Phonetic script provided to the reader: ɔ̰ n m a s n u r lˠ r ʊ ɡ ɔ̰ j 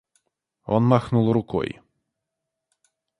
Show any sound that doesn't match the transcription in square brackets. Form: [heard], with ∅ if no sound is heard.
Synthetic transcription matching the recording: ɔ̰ n m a [x] n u [∅] lˠ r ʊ [k] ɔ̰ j